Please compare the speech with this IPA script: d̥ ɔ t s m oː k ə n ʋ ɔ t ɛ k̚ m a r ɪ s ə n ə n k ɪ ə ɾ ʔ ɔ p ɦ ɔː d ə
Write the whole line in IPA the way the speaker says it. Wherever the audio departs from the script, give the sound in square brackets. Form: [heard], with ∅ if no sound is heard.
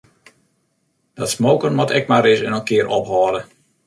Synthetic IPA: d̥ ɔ t s m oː k ə n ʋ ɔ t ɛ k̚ m a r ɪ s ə n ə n k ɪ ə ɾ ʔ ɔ p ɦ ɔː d ə